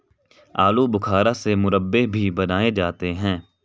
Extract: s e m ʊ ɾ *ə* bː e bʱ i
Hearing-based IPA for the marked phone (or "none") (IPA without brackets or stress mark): ə